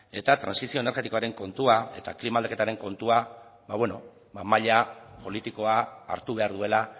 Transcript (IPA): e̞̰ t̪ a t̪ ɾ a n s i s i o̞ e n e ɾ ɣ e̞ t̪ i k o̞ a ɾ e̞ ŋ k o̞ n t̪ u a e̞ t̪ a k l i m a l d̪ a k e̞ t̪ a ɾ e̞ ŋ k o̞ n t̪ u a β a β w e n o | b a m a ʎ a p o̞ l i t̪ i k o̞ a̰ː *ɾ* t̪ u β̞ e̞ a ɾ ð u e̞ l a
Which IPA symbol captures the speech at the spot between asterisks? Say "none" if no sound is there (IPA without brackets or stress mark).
ɾ